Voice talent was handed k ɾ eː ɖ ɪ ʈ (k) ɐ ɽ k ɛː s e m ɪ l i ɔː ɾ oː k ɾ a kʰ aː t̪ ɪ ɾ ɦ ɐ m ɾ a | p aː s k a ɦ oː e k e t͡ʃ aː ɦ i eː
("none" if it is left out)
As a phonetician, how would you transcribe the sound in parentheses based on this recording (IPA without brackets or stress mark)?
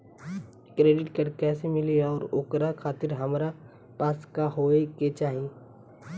k